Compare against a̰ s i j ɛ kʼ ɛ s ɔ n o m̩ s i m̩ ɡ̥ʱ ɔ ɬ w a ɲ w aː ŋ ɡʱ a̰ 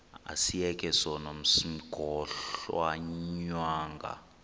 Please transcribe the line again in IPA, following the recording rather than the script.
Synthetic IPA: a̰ s i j ɛ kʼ ɛ s ɔ n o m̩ s i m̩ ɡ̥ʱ ɔ ɬ w a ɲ w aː ŋ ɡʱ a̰